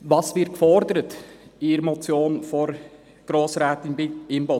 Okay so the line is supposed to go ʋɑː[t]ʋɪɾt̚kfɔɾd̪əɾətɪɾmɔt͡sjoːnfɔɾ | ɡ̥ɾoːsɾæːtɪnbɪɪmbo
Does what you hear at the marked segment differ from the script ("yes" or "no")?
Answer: yes